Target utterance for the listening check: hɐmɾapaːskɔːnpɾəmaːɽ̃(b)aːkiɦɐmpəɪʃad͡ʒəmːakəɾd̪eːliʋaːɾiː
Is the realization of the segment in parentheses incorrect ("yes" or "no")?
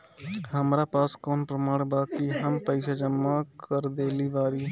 no